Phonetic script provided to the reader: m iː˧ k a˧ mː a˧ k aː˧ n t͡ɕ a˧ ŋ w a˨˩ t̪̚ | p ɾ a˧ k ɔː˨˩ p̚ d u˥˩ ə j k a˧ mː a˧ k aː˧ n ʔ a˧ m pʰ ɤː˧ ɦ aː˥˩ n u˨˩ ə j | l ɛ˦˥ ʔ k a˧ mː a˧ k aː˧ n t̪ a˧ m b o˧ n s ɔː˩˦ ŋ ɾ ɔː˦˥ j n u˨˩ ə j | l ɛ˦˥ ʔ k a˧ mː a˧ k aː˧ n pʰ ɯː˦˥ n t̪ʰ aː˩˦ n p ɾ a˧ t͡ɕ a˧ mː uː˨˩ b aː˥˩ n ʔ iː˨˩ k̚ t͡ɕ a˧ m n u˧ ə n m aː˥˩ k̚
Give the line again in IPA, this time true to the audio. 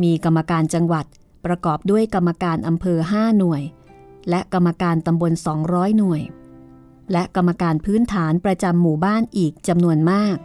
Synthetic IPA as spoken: m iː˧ k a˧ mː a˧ k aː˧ n t͡ɕ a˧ ŋ w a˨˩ t̪̚ | p ɾ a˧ k ɔː˨˩ p̚ d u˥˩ ə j k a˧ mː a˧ k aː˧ n ʔ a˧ m pʰ ɤː˧ ɦ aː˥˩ n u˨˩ ə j | l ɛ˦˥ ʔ k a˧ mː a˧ k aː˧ n t̪ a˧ m b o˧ n s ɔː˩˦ ŋ ɾ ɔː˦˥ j n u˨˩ ə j | l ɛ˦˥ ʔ k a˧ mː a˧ k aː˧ n pʰ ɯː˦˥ n t̪ʰ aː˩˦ n p ɾ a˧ t͡ɕ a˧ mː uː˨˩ b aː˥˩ n ʔ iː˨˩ k̚ t͡ɕ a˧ m n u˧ ə n m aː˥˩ k̚